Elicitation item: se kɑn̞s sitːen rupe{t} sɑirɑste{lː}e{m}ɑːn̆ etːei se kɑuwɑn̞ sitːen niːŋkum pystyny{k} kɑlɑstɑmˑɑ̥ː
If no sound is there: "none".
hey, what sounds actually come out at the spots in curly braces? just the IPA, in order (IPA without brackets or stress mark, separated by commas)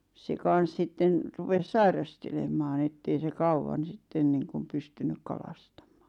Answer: s, l, m, k